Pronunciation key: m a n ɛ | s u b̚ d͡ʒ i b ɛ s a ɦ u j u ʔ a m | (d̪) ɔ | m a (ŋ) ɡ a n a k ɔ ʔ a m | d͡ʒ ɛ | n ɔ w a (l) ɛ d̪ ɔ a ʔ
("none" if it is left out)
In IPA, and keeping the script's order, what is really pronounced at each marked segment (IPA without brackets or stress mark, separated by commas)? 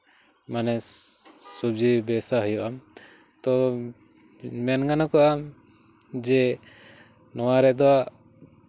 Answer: t̪, n, ɾ